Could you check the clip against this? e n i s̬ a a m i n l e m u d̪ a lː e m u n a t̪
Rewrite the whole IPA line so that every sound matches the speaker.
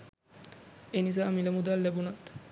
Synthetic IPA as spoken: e n i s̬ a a m i l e m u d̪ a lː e b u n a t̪